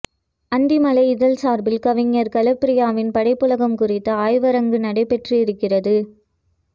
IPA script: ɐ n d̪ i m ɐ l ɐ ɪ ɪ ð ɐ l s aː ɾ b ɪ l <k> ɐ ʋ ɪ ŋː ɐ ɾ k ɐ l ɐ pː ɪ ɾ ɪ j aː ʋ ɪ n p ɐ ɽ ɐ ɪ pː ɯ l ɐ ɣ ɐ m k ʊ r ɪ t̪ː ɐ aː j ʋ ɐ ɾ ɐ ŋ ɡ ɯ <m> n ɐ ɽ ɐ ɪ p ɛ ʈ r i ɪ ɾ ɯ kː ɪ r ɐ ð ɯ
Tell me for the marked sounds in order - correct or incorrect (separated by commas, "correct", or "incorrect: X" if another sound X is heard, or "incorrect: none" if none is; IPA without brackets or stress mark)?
correct, incorrect: none